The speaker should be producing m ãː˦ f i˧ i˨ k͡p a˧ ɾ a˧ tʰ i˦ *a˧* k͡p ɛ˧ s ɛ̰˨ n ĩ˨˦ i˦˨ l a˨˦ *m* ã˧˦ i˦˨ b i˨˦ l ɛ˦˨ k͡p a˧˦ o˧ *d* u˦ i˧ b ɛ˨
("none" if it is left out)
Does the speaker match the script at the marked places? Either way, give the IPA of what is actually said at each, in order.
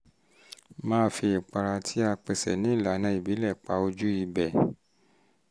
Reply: a˧, n, d͡ʒ

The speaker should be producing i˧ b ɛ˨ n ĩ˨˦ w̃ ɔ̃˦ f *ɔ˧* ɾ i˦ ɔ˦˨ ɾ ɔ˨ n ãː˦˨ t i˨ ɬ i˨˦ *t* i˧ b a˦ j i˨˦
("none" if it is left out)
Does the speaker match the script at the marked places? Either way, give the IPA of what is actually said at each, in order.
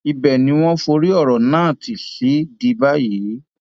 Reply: o˧, d

